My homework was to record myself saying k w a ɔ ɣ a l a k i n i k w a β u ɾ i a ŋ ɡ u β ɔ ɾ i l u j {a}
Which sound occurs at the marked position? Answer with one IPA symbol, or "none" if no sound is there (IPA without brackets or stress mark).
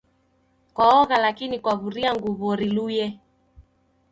ɛ